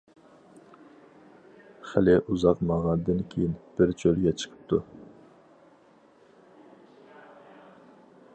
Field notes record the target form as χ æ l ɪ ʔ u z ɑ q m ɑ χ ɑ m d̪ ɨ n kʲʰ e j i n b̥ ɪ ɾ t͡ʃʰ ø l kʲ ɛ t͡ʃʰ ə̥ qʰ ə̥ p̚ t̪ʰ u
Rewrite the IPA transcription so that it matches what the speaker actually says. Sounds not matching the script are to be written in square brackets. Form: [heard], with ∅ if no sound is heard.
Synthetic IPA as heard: χ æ l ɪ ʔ u z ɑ q m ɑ [ʁ] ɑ [n] d̪ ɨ n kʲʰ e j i n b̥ ɪ ɾ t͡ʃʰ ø l [ɡʲ] ɛ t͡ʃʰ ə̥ qʰ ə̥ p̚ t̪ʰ u